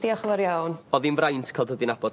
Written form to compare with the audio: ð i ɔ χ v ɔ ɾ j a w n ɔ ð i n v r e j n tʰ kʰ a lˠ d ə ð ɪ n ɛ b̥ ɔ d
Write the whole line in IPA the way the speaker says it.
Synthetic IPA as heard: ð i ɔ χ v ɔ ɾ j a w n ɔ ð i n v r a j n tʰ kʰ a lˠ d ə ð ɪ n a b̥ ɔ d